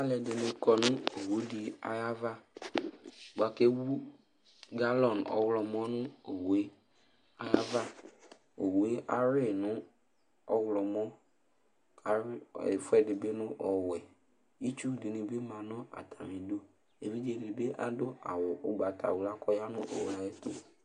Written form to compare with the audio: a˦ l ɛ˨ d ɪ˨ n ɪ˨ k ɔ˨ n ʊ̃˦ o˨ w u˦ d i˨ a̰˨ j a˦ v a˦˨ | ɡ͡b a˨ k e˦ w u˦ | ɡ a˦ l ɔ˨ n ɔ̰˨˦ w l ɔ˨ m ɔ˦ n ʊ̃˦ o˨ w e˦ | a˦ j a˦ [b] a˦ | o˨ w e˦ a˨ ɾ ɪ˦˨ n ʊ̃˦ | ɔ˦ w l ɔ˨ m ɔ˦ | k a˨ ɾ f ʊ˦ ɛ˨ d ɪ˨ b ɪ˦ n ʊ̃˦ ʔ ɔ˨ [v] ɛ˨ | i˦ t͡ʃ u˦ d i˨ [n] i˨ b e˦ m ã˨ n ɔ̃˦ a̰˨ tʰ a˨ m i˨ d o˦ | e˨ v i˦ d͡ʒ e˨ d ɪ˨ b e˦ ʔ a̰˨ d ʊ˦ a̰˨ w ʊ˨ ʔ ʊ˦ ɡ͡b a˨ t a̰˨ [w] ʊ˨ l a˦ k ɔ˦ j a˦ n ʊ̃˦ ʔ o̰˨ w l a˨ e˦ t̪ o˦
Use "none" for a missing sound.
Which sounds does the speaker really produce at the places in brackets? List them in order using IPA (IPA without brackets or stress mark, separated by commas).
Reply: v, w, n, w